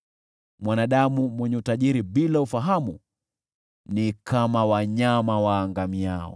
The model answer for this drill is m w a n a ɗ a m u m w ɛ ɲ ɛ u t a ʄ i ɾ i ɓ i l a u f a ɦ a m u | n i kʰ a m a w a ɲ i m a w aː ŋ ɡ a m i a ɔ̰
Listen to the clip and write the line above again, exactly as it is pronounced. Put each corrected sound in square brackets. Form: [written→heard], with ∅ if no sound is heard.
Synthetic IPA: m w a n a ɗ a m u m w ɛ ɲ ɛ u t a ʄ i ɾ i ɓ i l a u f a ɦ a m u | n i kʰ a m a w a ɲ [i→a] m a w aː ŋ ɡ a m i a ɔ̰